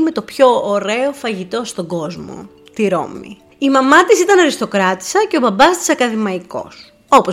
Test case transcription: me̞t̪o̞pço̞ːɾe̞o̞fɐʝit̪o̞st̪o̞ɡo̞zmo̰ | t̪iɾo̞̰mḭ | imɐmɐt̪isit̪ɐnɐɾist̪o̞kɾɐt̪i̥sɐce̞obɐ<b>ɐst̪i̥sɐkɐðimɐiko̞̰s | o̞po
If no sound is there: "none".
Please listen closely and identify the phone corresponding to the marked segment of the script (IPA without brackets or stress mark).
b